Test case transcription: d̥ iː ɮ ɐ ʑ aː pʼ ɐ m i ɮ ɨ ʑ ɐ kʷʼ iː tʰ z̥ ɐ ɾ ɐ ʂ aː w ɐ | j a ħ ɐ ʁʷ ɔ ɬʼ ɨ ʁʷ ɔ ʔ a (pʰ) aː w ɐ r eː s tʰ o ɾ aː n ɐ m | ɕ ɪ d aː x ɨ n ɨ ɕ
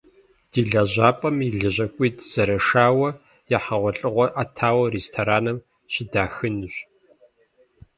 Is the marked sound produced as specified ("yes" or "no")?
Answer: no